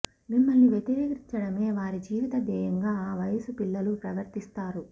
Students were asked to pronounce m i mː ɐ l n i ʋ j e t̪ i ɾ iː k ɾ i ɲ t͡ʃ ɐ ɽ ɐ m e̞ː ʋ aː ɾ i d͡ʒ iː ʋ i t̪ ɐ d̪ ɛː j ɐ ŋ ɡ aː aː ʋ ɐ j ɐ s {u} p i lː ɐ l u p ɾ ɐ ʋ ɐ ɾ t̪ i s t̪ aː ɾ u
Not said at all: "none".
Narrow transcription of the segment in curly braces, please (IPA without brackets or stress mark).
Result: u